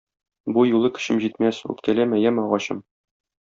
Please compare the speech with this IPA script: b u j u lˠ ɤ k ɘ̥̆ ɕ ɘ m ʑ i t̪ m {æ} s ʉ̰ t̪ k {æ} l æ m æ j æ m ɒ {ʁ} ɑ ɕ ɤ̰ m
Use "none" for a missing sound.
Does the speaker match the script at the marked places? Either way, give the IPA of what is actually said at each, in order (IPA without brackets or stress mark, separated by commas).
æ, æ, ʁ